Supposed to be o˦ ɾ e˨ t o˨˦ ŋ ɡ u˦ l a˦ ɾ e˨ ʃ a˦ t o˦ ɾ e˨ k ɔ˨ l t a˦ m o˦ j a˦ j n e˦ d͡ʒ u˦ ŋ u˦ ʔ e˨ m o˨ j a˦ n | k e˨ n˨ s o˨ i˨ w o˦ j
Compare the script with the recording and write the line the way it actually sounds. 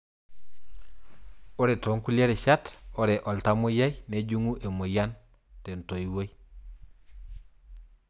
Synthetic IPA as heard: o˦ ɾ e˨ t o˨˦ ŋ k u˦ l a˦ ɾ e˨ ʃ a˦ t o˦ ɾ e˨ ʔ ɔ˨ l t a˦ m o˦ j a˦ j n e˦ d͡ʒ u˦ ŋ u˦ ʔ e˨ m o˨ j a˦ n | t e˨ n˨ t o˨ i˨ w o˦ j